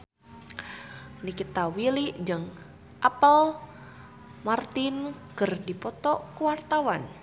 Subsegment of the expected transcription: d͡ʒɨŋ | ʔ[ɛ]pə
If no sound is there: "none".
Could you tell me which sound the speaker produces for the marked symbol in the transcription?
a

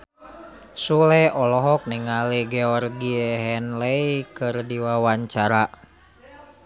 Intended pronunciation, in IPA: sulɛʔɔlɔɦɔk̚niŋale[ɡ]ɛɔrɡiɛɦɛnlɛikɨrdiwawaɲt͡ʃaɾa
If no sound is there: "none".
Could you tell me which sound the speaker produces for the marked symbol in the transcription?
ɡ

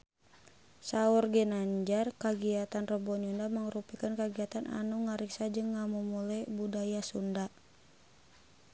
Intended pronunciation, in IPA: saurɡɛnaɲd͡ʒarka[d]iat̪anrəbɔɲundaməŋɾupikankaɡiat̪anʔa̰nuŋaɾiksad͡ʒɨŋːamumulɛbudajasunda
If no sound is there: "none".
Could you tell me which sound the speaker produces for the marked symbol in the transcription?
ɡ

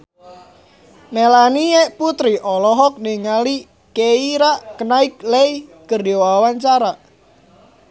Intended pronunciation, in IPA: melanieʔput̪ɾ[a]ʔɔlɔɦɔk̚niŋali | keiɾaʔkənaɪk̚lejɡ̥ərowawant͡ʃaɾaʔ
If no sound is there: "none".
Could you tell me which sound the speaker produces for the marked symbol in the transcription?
i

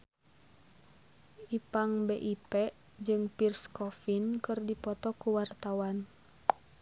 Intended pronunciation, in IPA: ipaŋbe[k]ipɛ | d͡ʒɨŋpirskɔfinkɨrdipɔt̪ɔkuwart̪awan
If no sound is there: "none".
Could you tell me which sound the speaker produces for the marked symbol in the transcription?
ʔ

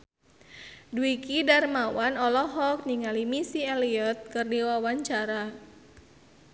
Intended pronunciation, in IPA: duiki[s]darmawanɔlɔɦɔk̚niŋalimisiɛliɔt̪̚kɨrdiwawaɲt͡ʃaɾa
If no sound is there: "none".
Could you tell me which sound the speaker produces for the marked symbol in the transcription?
none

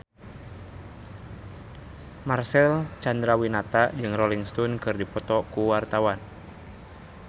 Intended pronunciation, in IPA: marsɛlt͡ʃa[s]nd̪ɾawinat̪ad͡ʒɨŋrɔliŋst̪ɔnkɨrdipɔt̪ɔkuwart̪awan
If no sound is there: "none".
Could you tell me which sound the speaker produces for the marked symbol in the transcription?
none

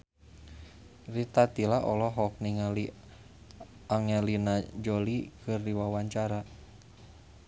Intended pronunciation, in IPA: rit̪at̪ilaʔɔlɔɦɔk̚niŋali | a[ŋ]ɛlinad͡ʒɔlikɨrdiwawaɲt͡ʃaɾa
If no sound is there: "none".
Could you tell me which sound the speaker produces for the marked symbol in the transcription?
ŋ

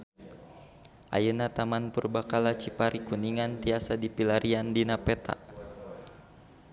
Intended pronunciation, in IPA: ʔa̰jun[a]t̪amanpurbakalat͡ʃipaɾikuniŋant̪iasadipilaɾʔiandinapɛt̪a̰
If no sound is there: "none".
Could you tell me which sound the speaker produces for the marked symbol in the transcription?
a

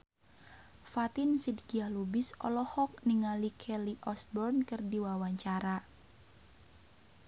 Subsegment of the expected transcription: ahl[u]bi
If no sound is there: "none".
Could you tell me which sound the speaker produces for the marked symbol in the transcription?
u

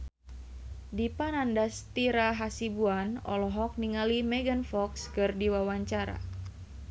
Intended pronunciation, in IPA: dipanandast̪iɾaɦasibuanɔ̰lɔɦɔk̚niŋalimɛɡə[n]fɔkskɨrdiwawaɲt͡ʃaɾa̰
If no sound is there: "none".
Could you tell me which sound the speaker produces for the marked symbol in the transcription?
n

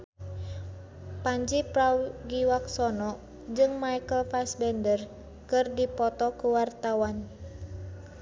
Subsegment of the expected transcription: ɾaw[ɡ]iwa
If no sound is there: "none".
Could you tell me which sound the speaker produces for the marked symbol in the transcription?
ɡ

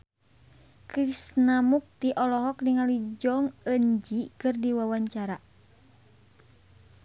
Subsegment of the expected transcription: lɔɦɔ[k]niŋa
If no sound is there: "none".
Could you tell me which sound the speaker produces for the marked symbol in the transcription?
k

